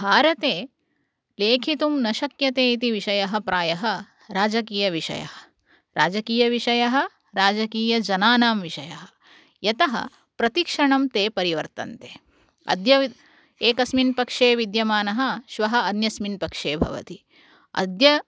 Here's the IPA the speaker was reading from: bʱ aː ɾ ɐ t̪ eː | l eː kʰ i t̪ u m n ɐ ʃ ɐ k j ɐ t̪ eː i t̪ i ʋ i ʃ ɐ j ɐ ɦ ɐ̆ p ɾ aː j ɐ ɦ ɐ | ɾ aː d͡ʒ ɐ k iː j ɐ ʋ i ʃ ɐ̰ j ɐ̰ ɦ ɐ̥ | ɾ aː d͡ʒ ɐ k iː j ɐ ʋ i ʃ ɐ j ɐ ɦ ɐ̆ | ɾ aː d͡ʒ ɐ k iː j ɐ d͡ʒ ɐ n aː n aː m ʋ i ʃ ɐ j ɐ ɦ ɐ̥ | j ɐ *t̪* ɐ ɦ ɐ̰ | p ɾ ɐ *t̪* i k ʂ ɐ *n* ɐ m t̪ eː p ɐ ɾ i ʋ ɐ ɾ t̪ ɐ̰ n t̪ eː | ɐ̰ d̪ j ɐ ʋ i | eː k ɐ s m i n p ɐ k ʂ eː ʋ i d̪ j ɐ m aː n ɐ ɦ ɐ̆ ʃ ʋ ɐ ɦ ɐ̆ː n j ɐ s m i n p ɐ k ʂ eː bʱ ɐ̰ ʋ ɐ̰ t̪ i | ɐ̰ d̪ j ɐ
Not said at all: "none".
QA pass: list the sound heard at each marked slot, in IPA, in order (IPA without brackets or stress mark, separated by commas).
t̪, t̪, ɳ